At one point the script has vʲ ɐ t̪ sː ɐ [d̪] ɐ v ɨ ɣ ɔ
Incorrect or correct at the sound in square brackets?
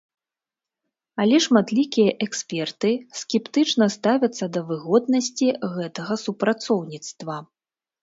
correct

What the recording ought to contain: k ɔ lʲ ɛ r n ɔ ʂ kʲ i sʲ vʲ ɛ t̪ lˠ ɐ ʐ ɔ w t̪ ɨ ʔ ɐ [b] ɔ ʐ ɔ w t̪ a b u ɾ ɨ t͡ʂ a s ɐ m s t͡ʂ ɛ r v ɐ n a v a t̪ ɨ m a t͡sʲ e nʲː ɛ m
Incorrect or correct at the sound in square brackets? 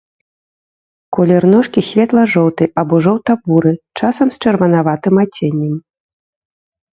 correct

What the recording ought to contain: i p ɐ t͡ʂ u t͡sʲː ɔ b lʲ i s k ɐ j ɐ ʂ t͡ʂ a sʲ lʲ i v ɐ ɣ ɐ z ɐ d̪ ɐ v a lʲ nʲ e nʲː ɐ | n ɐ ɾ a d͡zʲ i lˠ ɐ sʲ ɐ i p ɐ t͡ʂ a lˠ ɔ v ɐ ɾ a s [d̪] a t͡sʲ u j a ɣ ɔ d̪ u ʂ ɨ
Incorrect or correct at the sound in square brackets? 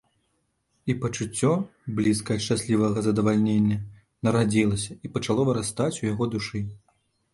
incorrect: t̪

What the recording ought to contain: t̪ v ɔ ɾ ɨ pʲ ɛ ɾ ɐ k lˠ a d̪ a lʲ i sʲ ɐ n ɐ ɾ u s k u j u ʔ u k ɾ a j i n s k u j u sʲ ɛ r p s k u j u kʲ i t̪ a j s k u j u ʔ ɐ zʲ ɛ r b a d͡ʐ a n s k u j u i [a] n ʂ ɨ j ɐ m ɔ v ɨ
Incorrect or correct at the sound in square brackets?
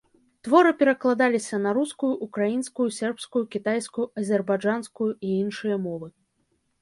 incorrect: i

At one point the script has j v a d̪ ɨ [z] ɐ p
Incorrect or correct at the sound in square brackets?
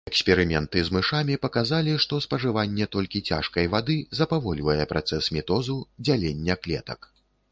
correct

